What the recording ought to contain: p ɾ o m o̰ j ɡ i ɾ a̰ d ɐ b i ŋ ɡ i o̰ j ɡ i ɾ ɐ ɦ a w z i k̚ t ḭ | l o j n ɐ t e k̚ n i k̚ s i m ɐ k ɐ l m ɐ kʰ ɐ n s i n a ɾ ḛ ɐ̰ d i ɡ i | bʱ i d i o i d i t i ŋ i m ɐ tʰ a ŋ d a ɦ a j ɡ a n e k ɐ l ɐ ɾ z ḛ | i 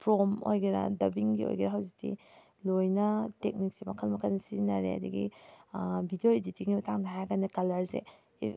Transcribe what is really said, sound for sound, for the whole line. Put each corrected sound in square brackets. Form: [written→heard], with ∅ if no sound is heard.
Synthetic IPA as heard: p ɾ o m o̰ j ɡ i ɾ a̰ d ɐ b i ŋ ɡ i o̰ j ɡ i ɾ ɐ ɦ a w z i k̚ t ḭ | l o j n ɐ t e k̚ n i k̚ s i m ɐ [k→kʰ] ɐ l m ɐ kʰ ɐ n s i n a ɾ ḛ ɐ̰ d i ɡ i | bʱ i d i o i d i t i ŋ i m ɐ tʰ a ŋ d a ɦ a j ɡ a n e k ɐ l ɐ ɾ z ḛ | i